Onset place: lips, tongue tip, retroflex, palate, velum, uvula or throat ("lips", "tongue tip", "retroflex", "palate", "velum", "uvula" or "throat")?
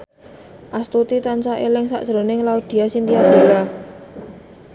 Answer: throat